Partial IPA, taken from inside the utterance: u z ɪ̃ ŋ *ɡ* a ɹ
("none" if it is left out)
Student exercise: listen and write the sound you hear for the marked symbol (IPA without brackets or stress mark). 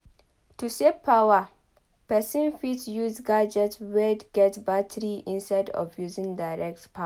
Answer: d